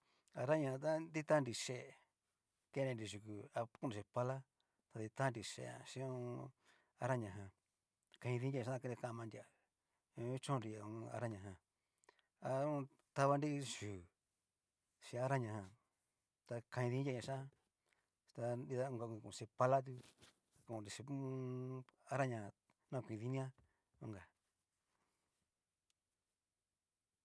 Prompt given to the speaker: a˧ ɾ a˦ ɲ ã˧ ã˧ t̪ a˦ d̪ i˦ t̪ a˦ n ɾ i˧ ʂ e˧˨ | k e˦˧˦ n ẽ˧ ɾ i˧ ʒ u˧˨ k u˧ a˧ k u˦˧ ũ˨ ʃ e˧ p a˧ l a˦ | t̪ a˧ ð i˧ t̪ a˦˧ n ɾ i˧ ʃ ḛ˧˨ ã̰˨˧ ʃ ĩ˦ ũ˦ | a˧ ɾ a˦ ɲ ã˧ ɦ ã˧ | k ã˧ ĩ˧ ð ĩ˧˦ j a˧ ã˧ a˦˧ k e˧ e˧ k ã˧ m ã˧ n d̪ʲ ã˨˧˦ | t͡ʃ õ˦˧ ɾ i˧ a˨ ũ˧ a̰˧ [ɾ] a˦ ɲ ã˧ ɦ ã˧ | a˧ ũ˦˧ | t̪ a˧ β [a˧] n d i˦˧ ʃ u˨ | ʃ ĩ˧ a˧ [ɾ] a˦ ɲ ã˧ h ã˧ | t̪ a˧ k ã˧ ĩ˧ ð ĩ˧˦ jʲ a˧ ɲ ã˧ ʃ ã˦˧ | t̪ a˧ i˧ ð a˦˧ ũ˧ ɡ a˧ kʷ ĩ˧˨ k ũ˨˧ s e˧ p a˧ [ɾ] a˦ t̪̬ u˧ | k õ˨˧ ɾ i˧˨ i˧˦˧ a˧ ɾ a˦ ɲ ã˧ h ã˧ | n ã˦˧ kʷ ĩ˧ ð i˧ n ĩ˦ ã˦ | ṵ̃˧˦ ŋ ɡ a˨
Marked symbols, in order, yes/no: yes, yes, yes, no

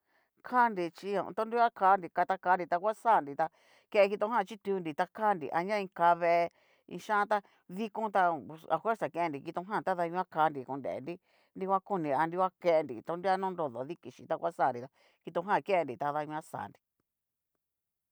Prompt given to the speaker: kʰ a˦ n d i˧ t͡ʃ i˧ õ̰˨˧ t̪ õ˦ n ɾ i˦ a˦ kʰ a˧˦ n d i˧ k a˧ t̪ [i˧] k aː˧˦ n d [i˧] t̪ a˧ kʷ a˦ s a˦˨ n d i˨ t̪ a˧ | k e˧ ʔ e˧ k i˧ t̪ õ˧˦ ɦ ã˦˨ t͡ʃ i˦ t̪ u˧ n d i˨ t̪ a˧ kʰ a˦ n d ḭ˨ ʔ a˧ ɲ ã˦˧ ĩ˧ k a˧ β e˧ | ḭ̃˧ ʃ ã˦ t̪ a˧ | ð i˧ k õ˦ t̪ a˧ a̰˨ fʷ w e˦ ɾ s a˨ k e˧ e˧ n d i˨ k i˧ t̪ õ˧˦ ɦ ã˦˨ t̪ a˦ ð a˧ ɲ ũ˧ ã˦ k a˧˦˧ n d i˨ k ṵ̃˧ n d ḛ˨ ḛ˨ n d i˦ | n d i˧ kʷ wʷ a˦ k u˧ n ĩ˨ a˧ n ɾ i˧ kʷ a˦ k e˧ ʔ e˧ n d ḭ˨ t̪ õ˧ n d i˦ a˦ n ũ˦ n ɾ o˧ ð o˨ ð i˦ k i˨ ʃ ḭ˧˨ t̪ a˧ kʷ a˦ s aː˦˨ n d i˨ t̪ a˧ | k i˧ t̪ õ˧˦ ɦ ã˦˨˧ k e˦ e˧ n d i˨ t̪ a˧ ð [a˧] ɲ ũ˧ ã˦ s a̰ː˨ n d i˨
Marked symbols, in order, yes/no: no, yes, yes

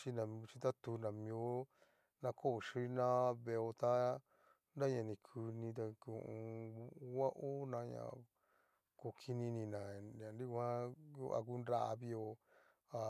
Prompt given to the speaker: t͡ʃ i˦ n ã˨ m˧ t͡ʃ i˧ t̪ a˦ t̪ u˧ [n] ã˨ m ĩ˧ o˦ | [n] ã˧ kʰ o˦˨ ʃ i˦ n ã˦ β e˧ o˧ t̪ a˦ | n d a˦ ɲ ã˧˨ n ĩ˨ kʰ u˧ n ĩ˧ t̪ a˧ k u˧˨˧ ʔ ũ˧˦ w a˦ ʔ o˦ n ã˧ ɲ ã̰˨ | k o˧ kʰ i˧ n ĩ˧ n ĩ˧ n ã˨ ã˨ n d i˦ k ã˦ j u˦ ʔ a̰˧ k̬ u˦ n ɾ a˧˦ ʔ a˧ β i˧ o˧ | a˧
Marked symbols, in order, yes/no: yes, yes

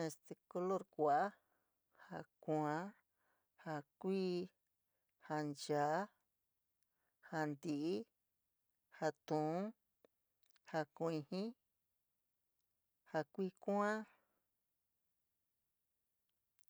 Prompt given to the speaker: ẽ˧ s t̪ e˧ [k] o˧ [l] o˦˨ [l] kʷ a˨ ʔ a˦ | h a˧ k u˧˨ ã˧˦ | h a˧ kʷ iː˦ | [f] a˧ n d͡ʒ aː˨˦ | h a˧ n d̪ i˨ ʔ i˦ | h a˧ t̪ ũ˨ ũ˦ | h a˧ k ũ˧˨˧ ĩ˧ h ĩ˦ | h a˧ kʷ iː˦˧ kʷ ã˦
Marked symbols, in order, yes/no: yes, yes, no, no

